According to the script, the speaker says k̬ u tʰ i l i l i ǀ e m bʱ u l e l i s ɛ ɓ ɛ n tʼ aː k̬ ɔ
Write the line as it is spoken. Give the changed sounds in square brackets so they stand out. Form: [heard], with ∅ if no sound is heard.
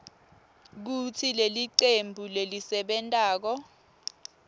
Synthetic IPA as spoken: k̬ u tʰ i l [e] l i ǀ e m bʱ u l e l i s ɛ ɓ ɛ n tʼ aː k̬ ɔ